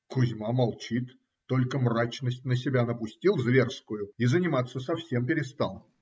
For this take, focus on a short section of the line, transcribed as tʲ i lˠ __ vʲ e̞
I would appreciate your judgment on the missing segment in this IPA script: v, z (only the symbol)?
z